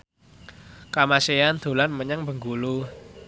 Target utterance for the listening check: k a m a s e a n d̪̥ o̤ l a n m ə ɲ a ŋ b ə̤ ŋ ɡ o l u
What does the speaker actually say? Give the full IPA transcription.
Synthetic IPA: k a m a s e a n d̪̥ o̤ l a n m ə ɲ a ŋ b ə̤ ŋ ɡ u l u